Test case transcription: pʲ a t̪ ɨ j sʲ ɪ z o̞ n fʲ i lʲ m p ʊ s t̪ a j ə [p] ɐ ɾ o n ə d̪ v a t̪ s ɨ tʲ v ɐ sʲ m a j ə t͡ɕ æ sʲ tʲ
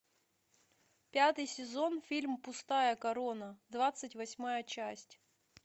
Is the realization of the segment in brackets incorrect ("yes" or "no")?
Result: yes